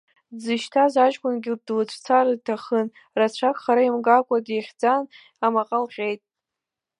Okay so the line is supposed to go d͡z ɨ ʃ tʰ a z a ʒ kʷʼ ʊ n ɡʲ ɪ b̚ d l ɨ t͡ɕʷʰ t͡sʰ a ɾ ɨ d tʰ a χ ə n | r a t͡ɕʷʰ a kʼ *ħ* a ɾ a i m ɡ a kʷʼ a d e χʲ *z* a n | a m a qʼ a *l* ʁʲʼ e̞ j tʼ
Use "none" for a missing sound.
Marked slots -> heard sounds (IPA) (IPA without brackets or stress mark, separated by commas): χ, d͡z, l